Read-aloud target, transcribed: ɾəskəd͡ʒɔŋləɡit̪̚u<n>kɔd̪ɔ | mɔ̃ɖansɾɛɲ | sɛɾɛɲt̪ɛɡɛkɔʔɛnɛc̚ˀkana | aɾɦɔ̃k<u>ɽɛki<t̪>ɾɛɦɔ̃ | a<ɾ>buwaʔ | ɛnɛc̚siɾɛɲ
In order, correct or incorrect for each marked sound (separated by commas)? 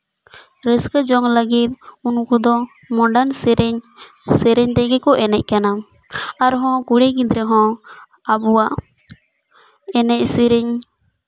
correct, correct, incorrect, incorrect